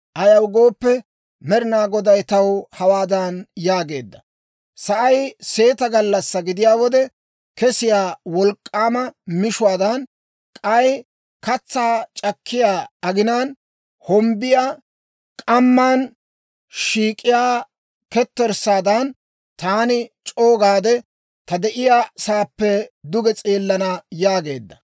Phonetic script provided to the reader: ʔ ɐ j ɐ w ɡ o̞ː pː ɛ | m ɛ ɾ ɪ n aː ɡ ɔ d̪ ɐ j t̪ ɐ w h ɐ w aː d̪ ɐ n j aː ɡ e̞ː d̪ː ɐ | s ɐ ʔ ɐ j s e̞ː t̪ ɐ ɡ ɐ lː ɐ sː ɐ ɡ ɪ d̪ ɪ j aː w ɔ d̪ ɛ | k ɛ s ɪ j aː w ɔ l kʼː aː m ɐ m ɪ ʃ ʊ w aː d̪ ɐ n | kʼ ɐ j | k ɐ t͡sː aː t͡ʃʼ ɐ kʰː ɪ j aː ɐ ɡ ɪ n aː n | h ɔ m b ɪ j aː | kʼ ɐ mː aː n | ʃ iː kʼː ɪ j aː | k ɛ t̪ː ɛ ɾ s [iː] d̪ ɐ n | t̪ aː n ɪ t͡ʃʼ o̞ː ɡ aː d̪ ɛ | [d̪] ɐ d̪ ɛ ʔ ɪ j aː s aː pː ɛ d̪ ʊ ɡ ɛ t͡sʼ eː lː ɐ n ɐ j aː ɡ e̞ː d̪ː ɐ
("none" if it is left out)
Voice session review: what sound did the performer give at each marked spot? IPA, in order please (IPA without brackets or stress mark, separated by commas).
aː, t̪